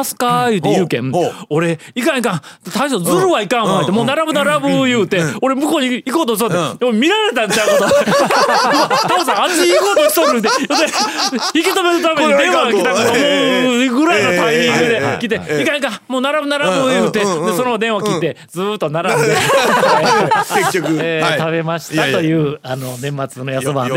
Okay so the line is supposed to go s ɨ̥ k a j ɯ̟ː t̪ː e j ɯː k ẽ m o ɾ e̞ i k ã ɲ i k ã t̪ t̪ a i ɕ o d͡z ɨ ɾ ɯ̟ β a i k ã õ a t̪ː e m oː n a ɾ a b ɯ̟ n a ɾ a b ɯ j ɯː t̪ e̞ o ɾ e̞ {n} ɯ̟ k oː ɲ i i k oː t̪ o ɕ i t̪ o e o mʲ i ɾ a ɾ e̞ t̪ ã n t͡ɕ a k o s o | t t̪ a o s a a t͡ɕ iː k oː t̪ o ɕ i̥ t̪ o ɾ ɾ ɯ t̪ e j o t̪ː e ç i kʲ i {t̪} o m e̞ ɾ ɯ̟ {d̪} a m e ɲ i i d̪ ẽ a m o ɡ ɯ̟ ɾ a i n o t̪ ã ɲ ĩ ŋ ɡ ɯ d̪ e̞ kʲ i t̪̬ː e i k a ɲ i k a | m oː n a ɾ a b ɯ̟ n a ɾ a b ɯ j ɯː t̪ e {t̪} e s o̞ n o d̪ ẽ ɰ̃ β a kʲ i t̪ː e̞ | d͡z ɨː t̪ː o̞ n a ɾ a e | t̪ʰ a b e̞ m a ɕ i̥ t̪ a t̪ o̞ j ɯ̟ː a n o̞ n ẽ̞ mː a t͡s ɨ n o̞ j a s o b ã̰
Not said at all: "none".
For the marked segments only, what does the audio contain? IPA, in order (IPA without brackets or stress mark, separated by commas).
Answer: m, t̪, t̪, d̪